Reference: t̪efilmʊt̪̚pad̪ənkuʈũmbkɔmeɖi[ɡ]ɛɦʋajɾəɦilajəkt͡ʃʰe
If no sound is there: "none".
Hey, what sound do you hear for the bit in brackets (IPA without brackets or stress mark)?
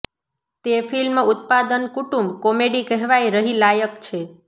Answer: k